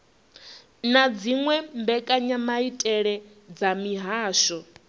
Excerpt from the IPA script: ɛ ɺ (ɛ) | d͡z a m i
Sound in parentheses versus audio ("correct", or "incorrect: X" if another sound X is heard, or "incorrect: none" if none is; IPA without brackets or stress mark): correct